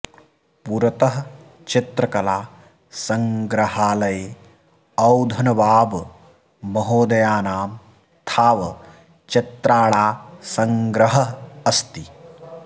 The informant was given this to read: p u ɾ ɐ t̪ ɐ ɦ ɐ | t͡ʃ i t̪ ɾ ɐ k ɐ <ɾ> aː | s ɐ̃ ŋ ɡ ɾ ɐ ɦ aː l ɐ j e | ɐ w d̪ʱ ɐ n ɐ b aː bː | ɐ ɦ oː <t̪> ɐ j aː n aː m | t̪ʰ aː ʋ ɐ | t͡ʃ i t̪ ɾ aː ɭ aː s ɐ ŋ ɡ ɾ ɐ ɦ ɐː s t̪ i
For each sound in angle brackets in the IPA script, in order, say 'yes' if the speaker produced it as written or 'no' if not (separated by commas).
no, no